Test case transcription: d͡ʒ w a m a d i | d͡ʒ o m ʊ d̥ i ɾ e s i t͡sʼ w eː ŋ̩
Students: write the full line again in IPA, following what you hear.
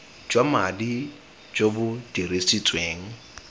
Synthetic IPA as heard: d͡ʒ w a m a d i | d͡ʒ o b ʊ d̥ i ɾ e s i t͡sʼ w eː ŋ̩